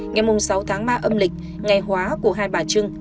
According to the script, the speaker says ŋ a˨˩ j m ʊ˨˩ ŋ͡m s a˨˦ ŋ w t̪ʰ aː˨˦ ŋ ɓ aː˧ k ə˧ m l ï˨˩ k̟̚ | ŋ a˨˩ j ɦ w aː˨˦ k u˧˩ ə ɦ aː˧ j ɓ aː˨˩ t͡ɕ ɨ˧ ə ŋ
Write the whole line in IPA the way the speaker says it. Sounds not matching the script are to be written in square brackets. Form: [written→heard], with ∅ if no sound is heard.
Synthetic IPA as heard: ŋ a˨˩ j m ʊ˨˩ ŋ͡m s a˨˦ [ŋ→∅] w t̪ʰ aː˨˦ ŋ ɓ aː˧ [k→ʔ] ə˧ m l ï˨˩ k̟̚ | ŋ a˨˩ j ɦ w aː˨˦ k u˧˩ ə ɦ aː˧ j ɓ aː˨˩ t͡ɕ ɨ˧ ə ŋ